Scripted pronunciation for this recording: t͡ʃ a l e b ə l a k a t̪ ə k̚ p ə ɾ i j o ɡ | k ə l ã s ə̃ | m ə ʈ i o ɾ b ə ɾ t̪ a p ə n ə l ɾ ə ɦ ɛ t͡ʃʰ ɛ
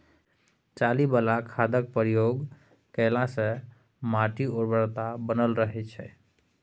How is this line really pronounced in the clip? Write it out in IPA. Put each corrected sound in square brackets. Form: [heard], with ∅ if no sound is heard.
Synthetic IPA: t͡ʃ a l [i] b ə l a [kʰ] a [d̪] ə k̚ p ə ɾ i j o ɡ | k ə l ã s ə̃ | m [a] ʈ i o ɾ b ə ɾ t̪ a [b] ə n ə l ɾ ə ɦ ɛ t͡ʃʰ ɛ